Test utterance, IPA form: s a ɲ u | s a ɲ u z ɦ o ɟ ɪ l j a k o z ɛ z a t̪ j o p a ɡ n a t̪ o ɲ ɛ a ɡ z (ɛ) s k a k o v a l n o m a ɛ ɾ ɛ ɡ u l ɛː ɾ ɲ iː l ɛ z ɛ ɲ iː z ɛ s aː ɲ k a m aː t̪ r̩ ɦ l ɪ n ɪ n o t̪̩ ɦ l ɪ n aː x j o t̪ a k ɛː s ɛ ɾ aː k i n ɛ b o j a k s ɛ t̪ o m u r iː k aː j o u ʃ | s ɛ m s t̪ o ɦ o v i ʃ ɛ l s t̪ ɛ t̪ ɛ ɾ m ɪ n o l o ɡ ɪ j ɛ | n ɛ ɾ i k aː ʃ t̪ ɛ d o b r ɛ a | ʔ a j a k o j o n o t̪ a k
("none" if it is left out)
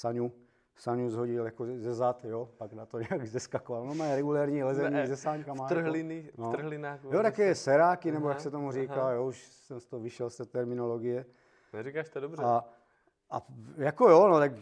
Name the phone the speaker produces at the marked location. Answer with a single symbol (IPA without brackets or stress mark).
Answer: ɛ